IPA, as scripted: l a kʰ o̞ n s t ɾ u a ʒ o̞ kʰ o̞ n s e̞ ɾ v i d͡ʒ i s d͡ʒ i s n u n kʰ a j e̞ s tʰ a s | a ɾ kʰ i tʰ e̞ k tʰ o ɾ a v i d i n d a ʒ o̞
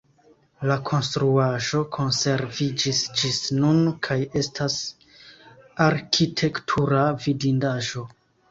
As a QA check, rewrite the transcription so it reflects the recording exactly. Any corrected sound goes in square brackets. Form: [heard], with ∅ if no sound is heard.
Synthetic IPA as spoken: l a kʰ o̞ n s t ɾ u a ʒ o̞ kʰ o̞ n s e̞ ɾ v i d͡ʒ i s d͡ʒ i s n u n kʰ a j e̞ s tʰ a s | a ɾ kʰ i tʰ e̞ k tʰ [u] ɾ a v i d i n d a ʒ o̞

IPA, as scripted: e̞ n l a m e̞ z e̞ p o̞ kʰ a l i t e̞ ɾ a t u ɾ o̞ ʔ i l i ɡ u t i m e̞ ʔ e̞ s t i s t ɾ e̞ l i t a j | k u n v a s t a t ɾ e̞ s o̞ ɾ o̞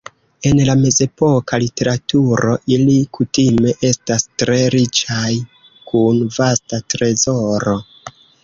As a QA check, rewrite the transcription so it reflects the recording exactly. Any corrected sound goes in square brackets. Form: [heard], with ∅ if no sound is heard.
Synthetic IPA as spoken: e̞ n l a m e̞ z e̞ p o̞ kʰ a l i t e̞ ɾ a t u ɾ o̞ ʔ i l i [k] u t i m e̞ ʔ e̞ s t [a] s t ɾ e̞ [ɾ] i [t͡ʃ] a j | k u n v a s t a t ɾ e̞ [z] o̞ ɾ o̞

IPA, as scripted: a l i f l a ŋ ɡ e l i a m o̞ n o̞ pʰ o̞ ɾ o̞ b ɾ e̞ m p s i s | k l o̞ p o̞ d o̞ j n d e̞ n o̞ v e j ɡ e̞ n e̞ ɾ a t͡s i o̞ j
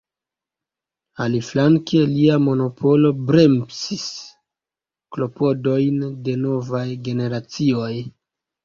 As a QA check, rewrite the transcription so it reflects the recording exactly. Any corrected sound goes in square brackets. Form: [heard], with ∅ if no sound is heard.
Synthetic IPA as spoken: a l i f l a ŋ [k] e l i a m o̞ n o̞ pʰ o̞ [l] o̞ b ɾ e̞ m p s i s | k l o̞ p o̞ d o̞ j n d e̞ n o̞ v [a] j ɡ e̞ n e̞ ɾ a t͡s i o̞ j

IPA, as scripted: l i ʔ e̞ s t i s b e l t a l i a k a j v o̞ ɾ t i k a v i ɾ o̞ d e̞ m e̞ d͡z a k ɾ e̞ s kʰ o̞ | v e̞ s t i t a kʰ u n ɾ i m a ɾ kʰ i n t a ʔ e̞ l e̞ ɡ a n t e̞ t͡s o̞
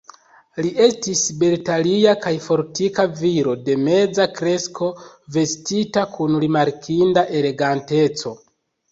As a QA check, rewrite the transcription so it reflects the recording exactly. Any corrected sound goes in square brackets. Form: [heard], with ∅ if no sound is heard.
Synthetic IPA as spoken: l i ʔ e̞ s t i s b e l t a l i a k a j [f] o̞ ɾ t i k a v i ɾ o̞ d e̞ m e̞ d͡z a k ɾ e̞ s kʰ o̞ | v e̞ s t i t a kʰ u n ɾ i m a ɾ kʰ i n [d] a ʔ e̞ l e̞ ɡ a n t e̞ t͡s o̞

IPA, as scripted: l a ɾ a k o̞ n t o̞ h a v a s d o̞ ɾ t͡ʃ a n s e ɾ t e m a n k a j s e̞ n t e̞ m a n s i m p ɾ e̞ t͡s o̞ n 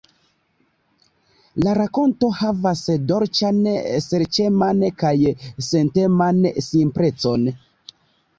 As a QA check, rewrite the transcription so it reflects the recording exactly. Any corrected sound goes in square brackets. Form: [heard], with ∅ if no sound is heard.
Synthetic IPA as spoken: l a ɾ a k o̞ n t o̞ h a v a s d o̞ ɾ t͡ʃ a n s e ɾ [t͡ʃ] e m a n k a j s e̞ n t e̞ m a n s i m p ɾ e̞ t͡s o̞ n

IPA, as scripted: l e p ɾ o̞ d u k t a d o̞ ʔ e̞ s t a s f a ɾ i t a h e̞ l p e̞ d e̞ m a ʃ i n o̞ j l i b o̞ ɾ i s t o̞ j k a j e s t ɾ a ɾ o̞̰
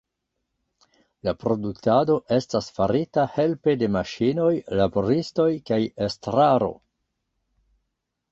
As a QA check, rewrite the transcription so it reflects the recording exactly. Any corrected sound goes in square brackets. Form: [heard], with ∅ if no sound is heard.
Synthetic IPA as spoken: l [a] p ɾ o̞ d u k t a d o̞ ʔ e̞ s t a s f a ɾ i t a h e̞ l p e̞ d e̞ m a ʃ i n o̞ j l [a] b o̞ ɾ i s t o̞ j k a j e s t ɾ a ɾ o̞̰

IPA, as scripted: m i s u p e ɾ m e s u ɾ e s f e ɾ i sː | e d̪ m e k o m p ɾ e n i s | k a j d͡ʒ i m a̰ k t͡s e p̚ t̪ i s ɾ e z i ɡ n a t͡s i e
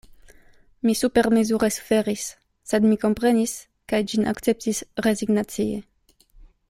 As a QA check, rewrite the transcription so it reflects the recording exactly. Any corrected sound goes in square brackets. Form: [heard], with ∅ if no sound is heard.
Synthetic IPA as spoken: m i s u p e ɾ m e [z] u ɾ e s f e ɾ i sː | e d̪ m [i] k o m p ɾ e n i s | k a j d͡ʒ i [n] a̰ k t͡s e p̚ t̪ i s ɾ e z i ɡ n a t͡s i e

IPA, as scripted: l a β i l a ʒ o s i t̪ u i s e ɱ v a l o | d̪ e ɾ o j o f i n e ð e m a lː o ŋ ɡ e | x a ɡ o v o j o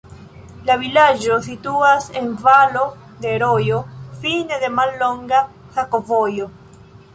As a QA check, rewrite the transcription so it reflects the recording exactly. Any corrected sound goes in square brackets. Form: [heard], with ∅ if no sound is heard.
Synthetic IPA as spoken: l a β i l a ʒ o s i t̪ u [a] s e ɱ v a l o | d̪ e ɾ o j o f i n e ð e m a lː o ŋ ɡ [a] | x a [k] o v o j o

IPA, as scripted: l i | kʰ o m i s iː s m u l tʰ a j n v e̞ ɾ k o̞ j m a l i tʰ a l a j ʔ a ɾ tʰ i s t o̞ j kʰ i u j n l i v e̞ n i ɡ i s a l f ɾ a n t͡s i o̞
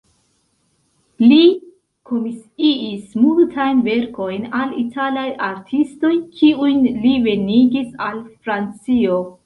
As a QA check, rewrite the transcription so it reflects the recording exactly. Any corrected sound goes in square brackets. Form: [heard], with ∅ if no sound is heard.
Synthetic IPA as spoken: l i | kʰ o m i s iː s m u l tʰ a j n v e̞ ɾ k o̞ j [n] a l i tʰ a l a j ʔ a ɾ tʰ i s t o̞ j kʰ i u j n l i v e̞ n i ɡ i s a l f ɾ a n t͡s i o̞

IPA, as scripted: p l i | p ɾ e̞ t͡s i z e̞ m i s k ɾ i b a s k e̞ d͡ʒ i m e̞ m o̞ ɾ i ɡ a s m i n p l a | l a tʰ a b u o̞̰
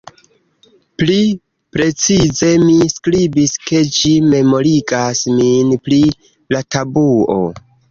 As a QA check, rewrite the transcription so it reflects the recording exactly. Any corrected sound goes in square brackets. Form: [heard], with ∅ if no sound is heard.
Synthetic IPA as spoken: p l i | p ɾ e̞ t͡s i z e̞ m i s k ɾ i b [i] s k e̞ d͡ʒ i m e̞ m o̞ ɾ i ɡ a s m i n p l [i] | l a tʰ a b u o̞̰

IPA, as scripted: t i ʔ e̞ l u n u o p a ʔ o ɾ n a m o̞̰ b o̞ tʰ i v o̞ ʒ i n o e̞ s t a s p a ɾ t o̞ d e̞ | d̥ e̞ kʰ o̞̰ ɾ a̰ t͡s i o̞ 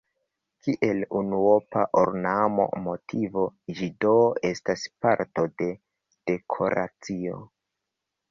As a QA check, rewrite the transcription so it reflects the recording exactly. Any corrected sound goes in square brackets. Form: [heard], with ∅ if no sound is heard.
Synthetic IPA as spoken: [k] i ʔ e̞ l u n u o p a ʔ o ɾ n a m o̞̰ [m] o̞ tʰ i v o̞ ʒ i [d] o e̞ s t a s p a ɾ t o̞ d e̞ | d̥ e̞ kʰ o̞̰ ɾ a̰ t͡s i o̞

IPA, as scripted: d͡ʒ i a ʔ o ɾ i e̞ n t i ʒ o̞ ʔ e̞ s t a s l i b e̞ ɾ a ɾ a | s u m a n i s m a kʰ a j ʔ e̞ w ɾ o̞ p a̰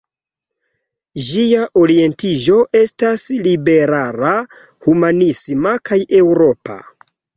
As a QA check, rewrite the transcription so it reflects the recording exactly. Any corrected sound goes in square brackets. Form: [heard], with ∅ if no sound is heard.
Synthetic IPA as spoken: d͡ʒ i a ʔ o ɾ i e̞ n t i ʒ o̞ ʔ e̞ s t a s l i b e̞ ɾ a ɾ a | [h] u m a n i s m a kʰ a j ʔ e̞ w ɾ o̞ p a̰

